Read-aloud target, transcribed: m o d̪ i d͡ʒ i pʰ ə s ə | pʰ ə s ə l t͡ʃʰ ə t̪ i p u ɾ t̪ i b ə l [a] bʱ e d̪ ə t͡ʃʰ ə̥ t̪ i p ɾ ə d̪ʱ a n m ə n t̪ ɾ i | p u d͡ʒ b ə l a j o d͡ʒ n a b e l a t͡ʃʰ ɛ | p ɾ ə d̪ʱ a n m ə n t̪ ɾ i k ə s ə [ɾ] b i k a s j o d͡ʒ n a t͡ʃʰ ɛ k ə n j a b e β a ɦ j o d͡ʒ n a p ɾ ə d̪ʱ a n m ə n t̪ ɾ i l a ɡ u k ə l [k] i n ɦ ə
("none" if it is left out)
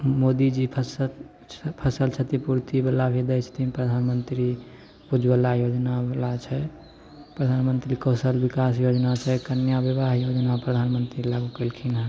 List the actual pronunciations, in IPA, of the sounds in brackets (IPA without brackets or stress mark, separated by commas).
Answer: a, l, kʰ